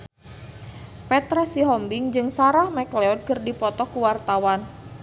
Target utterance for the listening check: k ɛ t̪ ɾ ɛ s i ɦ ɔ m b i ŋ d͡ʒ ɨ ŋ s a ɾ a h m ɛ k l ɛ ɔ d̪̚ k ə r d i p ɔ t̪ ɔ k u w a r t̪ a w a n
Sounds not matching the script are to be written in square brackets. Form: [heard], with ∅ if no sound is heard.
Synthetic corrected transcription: [p] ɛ t̪ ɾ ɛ s i ɦ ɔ m b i ŋ d͡ʒ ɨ ŋ s a ɾ a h m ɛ k l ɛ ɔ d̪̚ k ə r d i p ɔ t̪ ɔ k u w a r t̪ a w a n